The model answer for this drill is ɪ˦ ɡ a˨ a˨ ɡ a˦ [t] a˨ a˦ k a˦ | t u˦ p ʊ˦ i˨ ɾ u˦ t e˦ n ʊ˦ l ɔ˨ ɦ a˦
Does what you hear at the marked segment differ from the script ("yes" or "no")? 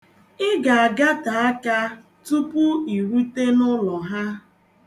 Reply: no